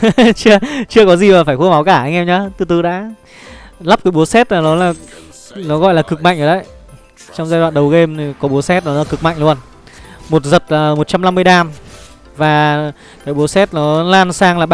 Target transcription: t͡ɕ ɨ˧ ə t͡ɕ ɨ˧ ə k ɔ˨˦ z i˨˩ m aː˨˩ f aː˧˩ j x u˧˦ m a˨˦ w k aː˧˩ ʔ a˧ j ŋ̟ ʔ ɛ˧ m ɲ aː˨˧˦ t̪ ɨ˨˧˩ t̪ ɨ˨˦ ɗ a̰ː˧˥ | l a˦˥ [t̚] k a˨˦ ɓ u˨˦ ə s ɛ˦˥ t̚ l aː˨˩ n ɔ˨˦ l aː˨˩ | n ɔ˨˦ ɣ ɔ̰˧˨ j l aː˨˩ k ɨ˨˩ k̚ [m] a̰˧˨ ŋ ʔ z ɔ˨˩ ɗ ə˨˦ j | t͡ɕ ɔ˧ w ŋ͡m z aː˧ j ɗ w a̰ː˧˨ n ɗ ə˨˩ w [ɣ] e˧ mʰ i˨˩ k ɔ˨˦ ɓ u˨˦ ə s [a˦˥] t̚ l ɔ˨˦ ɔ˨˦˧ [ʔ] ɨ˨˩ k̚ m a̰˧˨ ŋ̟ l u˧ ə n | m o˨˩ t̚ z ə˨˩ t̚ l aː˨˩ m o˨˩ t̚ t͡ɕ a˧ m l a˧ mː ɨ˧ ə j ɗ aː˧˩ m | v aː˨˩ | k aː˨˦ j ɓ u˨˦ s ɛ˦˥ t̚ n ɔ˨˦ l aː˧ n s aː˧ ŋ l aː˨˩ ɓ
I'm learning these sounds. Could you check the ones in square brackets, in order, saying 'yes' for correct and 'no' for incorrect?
no, yes, yes, no, no

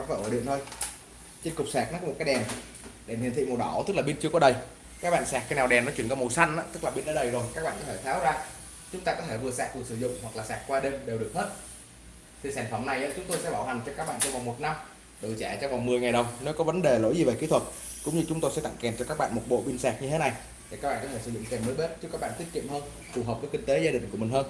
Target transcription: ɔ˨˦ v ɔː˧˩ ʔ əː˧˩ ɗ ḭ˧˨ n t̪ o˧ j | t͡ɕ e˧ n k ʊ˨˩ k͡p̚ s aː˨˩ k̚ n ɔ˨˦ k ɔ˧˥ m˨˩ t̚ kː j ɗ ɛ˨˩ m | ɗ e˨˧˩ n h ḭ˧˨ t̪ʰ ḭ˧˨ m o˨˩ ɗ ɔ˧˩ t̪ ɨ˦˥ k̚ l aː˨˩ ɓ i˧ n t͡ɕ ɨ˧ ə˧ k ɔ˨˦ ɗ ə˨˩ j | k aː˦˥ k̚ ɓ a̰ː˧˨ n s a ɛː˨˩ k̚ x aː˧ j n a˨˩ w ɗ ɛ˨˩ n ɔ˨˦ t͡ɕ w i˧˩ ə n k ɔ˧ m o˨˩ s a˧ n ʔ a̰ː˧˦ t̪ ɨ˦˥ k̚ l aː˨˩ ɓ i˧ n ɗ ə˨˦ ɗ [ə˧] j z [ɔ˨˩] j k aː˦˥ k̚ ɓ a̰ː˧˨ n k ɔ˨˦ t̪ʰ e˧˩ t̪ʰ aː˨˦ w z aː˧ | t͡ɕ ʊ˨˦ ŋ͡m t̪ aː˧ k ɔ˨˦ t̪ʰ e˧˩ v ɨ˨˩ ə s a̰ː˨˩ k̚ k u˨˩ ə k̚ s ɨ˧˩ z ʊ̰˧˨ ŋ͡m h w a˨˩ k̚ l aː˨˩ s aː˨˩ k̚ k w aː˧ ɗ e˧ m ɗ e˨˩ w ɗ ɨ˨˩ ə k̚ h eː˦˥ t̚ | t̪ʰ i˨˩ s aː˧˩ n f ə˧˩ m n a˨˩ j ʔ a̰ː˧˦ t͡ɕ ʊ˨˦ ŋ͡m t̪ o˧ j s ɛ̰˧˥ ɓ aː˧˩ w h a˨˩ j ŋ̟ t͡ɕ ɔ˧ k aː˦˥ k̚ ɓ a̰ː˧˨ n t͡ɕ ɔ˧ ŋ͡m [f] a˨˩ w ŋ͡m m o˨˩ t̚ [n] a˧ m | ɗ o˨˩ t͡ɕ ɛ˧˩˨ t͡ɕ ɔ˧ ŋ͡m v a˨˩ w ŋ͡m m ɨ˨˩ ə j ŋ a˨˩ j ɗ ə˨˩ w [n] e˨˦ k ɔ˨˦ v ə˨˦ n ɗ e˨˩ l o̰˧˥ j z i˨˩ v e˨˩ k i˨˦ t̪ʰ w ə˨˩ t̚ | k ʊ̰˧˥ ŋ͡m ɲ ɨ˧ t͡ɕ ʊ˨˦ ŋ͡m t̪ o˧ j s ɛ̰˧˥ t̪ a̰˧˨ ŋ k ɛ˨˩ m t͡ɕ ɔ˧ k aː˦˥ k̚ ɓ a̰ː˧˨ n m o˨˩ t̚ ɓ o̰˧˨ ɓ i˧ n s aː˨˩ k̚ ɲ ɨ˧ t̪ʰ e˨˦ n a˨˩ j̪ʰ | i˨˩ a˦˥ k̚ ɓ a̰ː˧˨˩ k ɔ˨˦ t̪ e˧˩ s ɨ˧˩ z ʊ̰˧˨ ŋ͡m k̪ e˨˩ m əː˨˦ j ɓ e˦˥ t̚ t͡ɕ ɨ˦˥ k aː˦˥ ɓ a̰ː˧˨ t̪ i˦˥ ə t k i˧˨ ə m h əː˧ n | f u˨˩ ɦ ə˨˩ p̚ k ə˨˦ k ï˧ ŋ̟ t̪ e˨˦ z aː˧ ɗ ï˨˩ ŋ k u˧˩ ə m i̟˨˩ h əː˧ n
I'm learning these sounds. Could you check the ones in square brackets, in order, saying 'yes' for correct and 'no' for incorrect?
no, no, no, yes, yes

